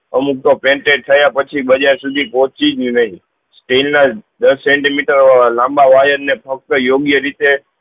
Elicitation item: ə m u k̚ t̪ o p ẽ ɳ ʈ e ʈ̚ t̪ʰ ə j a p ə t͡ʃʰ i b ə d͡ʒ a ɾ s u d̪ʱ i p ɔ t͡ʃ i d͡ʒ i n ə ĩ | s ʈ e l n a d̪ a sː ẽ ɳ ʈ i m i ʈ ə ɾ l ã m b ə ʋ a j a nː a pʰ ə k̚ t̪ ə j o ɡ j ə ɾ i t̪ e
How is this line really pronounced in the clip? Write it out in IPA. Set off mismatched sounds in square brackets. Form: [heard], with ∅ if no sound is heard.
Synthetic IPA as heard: ə m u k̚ t̪ o p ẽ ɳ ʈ e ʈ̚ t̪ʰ ə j a p ə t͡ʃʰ i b ə d͡ʒ a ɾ s u d̪ʱ i p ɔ t͡ʃ i d͡ʒ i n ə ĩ | s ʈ e l n a d̪ [ə] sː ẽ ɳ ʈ i m i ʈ ə ɾ l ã m b [a] ʋ a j [ə] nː [e] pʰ ə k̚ t̪ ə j o ɡ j ə ɾ i t̪ e

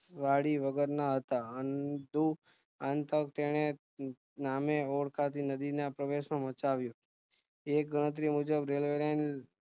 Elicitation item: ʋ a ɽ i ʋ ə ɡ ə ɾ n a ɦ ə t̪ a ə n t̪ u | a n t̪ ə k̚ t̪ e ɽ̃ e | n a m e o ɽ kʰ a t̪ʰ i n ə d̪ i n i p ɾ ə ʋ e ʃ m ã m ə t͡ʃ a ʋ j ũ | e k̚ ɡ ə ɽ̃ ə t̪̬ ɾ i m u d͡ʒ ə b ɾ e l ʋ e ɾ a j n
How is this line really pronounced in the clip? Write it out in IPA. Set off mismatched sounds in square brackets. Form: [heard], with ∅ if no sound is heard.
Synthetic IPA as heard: ʋ a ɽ i ʋ ə ɡ ə ɾ n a ɦ ə t̪ a ə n [d̪] u | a n t̪ ə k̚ t̪ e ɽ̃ e | n a m e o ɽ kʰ a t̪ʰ i n ə d̪ i n [a] p ɾ ə ʋ e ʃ m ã m ə t͡ʃ a ʋ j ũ | e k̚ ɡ ə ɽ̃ ə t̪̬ ɾ i m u d͡ʒ ə b ɾ e l ʋ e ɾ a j n

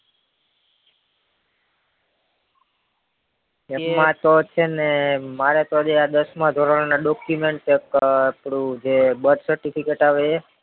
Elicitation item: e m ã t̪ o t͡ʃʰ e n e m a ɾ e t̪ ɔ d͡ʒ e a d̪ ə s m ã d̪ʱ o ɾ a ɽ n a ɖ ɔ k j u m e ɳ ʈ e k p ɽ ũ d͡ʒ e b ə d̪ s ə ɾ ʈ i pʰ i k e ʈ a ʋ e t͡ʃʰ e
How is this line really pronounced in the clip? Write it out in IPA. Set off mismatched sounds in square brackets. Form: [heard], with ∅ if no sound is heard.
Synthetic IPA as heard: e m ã t̪ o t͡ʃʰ e n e m a ɾ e t̪ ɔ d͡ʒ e a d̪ ə s m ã d̪ʱ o ɾ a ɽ n a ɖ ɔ k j u m e ɳ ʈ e k p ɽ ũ d͡ʒ e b ə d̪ s ə ɾ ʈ i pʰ i k e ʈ a ʋ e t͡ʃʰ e

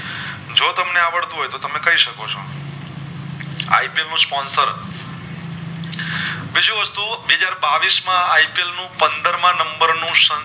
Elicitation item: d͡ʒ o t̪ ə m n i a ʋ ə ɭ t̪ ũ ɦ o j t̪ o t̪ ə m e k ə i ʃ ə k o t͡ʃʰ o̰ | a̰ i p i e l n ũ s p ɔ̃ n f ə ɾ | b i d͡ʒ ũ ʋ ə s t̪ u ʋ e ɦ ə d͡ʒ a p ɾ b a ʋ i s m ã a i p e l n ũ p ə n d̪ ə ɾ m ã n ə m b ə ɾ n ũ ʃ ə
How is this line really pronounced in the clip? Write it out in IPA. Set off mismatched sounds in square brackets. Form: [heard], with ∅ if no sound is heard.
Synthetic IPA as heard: d͡ʒ o t̪ ə m n [e] a ʋ ə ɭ t̪ ũ ɦ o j t̪ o t̪ ə m e k ə i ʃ ə k o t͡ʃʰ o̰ | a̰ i p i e l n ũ s p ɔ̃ n [s] ə ɾ | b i d͡ʒ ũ ʋ ə s t̪ u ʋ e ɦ ə d͡ʒ a [∅] ɾ b a ʋ i s m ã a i p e l n ũ p ə n d̪ ə ɾ m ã n ə m b ə ɾ n ũ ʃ ə

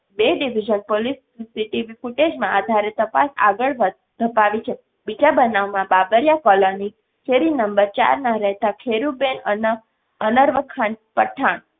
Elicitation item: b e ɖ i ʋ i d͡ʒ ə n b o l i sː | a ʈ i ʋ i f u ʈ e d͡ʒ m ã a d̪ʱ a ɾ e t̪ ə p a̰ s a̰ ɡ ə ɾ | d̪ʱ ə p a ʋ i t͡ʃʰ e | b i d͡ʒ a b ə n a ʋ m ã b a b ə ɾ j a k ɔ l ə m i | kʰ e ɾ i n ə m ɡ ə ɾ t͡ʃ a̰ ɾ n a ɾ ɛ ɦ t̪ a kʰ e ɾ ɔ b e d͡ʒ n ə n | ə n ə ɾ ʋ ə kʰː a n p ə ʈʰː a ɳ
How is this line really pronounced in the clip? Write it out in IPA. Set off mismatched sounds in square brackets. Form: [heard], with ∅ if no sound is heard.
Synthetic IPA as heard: b e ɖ i ʋ i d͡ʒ ə n [p] o l i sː | [i] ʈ i ʋ i f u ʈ e d͡ʒ m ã a d̪ʱ a ɾ e t̪ ə p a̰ s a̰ ɡ ə [ɭ] | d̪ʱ ə p a ʋ i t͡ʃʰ e | b i d͡ʒ a b ə n a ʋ m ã b a b ə ɾ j a k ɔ l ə [n] i | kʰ e ɾ i n ə m [b] ə ɾ t͡ʃ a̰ ɾ n a ɾ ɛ ɦ t̪ a kʰ e ɾ [u] b e [∅] n ə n | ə n ə ɾ ʋ ə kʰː a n p ə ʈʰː a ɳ

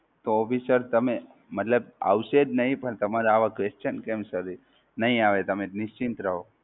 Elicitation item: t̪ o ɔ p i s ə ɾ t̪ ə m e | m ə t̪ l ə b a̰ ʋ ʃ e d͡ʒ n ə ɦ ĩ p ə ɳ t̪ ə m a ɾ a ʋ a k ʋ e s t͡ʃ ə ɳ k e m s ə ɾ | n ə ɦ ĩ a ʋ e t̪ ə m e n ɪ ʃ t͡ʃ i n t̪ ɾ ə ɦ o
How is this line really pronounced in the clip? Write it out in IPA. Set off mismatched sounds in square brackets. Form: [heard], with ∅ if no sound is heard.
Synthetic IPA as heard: t̪ o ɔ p i s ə ɾ t̪ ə m e | m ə t̪ l ə b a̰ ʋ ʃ e d͡ʒ n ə ɦ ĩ p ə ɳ t̪ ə m a ɾ a ʋ a k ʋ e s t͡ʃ ə [n] k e m s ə ɾ | n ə ɦ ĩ a ʋ e t̪ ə m e n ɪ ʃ t͡ʃ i n t̪ ɾ ə ɦ o

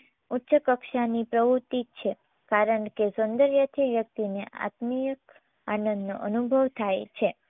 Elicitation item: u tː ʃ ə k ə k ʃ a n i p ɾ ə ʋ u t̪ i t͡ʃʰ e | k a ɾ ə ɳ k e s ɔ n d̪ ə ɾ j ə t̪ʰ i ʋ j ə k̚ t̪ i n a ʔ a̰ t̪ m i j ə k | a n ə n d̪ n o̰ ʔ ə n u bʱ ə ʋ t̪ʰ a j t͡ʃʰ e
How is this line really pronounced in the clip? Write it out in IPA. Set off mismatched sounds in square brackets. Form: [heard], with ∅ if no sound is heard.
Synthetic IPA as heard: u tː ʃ ə k ə k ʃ a n i p ɾ ə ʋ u t̪ i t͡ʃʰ e | k a ɾ ə ɳ k e s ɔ n d̪ ə ɾ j ə t̪ʰ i ʋ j ə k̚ t̪ i n [e] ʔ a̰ t̪ m i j ə k | a n ə n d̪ n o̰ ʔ ə n u bʱ ə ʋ t̪ʰ a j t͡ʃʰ e

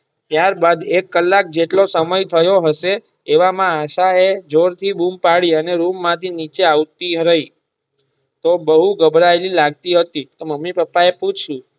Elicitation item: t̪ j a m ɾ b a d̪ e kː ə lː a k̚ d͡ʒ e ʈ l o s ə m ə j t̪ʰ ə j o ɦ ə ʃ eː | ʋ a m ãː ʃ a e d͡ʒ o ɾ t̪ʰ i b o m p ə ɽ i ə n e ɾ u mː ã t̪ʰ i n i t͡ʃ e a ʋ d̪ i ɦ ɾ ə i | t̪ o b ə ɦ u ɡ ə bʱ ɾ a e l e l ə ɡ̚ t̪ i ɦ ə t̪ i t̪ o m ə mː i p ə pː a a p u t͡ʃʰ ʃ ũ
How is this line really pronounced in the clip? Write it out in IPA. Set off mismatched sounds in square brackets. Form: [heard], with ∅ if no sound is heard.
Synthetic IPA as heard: t̪ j a [∅] ɾ b a d̪ e kː ə lː a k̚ d͡ʒ e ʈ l o s ə m ə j t̪ʰ ə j o ɦ ə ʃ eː | ʋ a m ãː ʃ a e d͡ʒ o ɾ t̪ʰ i b [u] m p [a] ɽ i ə n e ɾ u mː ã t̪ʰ i n i t͡ʃ e a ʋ [t̪] i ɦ ɾ ə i | t̪ o b ə ɦ u ɡ ə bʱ ɾ a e l [i] l [a] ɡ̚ t̪ i ɦ ə t̪ i t̪ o m ə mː i p ə pː a [e] p u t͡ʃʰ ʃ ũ

